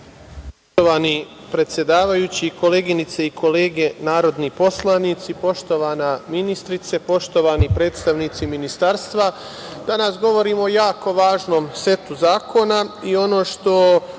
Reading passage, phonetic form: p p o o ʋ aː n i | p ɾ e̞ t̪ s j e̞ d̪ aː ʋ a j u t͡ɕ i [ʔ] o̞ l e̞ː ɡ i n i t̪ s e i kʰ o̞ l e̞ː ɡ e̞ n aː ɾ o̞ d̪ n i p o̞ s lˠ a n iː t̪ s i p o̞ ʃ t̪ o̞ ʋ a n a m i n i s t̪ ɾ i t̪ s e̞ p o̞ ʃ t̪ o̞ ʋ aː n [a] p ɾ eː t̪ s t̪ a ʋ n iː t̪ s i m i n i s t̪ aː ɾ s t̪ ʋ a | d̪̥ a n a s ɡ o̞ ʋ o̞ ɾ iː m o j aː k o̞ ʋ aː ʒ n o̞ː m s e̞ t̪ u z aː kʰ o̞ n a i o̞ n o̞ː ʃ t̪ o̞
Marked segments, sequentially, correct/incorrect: incorrect: k, incorrect: i

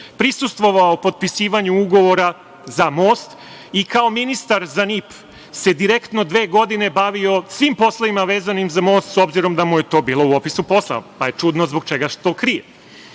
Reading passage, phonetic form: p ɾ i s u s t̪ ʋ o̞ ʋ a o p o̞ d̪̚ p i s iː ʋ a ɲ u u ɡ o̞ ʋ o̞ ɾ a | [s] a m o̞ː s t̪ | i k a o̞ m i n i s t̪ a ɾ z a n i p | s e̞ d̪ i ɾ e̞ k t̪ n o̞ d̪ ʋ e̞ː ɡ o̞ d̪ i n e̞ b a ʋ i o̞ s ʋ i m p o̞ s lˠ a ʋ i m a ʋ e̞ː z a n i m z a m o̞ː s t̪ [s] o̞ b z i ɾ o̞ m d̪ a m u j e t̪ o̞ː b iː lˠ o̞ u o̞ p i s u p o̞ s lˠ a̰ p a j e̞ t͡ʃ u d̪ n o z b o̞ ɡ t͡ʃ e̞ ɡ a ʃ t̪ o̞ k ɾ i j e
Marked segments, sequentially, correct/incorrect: incorrect: z, correct

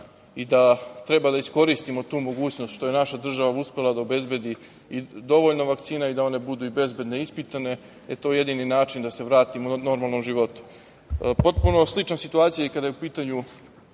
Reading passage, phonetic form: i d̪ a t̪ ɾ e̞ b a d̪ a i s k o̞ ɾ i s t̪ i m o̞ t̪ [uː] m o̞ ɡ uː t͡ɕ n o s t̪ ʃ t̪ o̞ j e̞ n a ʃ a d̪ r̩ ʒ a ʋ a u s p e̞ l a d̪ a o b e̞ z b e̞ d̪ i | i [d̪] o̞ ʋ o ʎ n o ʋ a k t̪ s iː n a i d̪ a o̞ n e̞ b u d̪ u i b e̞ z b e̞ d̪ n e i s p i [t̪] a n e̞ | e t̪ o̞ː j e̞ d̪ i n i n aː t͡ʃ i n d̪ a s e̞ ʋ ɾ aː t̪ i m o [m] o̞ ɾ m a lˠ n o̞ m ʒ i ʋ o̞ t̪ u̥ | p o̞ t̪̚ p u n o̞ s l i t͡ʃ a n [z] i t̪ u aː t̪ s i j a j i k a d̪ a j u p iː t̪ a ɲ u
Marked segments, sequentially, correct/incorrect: correct, correct, correct, incorrect: n, incorrect: s

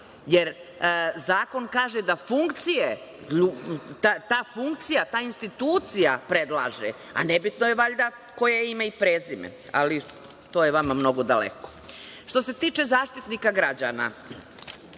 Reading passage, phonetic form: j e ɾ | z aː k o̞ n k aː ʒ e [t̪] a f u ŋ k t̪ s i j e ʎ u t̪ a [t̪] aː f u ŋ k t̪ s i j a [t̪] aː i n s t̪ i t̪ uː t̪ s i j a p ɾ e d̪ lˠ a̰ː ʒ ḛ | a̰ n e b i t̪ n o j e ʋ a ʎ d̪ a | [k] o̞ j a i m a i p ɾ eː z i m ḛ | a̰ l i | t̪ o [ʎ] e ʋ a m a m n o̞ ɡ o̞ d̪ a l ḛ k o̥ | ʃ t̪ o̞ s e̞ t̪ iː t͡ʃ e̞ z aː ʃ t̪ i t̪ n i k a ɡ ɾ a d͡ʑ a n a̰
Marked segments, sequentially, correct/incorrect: incorrect: d̪, correct, correct, correct, incorrect: j

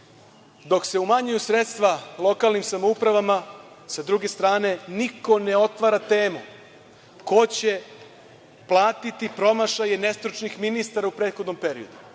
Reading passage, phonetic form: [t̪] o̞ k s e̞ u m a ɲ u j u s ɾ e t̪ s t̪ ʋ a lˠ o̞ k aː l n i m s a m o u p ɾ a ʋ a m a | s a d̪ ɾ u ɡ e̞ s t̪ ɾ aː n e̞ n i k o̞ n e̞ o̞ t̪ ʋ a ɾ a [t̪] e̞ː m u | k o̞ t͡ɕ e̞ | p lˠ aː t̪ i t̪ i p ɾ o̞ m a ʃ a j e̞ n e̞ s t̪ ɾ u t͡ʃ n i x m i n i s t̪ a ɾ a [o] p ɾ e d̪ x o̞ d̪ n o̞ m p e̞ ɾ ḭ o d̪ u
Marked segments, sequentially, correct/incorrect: incorrect: d̪, correct, incorrect: u

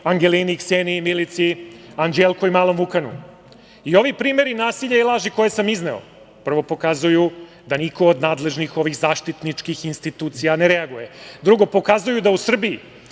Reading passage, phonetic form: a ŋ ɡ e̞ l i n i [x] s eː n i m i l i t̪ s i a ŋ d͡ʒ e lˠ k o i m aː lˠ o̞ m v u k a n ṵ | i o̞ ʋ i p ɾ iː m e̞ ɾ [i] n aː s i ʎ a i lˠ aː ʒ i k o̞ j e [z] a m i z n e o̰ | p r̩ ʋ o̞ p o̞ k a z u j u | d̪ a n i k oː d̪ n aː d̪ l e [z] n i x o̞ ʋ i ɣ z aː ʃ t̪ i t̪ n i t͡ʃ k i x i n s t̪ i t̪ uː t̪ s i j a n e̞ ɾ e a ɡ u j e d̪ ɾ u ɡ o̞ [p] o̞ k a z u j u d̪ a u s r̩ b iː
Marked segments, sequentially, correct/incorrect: incorrect: k, correct, incorrect: s, incorrect: ʒ, correct

